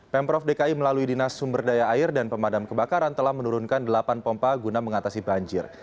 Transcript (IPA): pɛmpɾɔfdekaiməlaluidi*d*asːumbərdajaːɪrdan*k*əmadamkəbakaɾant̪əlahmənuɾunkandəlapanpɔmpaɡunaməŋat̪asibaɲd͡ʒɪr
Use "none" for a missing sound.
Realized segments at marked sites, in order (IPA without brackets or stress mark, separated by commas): n, p